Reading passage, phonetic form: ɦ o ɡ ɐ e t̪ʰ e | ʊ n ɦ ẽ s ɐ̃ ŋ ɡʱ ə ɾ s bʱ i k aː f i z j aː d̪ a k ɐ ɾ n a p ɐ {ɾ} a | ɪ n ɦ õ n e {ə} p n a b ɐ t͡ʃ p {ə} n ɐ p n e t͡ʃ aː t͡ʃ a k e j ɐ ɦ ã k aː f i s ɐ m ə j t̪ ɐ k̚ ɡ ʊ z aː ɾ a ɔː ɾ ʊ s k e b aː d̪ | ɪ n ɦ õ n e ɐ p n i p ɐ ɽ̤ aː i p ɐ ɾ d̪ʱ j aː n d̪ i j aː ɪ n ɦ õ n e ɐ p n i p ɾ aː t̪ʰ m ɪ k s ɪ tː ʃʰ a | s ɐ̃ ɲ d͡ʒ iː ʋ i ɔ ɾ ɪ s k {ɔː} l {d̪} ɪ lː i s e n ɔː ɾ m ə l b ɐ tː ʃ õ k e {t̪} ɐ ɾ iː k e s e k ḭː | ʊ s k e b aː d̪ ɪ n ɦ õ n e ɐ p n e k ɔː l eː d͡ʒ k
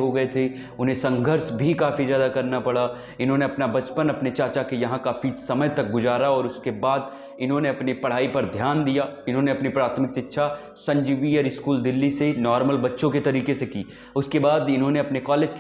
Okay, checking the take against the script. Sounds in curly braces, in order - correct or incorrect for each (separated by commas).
incorrect, incorrect, correct, incorrect, correct, correct